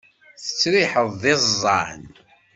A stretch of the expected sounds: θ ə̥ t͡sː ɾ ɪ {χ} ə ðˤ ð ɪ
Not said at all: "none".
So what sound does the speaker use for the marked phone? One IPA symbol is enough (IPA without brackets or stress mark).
ħ